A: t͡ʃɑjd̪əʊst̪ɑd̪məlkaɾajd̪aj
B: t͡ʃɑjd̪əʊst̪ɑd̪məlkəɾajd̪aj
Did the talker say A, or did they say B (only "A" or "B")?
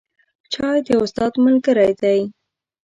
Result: B